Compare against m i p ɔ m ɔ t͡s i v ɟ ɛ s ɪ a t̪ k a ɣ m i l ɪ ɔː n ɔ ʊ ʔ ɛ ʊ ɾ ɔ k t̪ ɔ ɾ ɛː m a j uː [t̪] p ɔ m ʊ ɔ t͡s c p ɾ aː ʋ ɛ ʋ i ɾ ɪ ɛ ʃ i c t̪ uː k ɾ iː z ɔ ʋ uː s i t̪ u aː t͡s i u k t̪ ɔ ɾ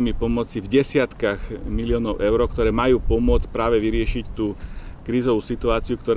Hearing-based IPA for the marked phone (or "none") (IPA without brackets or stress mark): none